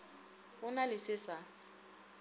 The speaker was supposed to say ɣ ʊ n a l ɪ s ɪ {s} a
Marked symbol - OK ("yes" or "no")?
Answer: yes